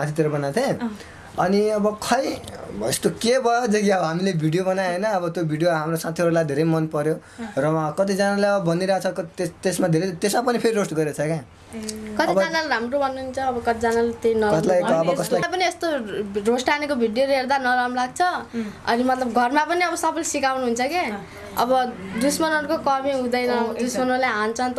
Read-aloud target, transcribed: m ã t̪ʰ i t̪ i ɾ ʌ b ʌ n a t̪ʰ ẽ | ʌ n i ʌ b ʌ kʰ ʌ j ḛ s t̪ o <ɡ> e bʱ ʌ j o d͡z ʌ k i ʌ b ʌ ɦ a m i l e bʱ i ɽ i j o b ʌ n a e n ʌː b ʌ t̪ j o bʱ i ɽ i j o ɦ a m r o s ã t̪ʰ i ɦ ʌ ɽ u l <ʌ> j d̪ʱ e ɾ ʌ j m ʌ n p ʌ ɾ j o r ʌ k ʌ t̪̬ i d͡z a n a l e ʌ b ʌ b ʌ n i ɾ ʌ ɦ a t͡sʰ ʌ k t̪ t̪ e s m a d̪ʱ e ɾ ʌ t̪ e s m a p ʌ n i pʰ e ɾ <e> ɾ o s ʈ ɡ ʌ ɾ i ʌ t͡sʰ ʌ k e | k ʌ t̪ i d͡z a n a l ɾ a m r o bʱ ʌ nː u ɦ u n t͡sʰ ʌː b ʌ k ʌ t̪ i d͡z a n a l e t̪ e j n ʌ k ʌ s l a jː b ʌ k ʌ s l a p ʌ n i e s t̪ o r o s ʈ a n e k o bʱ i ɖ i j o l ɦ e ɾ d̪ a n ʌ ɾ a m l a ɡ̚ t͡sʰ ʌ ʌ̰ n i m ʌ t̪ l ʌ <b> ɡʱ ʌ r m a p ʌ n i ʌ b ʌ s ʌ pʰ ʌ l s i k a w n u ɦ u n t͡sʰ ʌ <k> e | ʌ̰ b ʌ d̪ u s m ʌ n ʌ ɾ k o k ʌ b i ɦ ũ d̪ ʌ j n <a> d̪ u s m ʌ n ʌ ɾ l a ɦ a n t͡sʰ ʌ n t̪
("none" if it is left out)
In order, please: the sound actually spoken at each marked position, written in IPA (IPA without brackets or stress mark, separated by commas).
k, a, i, b, k, ʌ